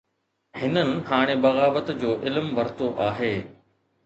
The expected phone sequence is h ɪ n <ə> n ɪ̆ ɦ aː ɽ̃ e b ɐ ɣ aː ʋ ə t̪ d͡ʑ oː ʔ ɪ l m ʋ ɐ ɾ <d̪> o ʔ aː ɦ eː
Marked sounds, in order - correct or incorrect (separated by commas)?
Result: correct, incorrect